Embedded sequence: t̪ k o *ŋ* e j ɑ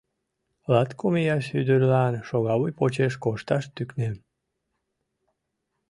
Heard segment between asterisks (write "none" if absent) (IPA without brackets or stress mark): m